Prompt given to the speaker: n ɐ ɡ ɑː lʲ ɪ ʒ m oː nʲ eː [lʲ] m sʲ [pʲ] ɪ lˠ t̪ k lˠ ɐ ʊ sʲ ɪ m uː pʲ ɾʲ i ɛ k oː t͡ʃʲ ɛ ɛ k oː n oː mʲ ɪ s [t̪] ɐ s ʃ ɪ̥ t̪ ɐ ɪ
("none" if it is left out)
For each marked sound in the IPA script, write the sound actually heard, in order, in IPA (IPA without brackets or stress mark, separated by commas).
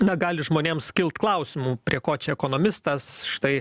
none, kʲ, t̪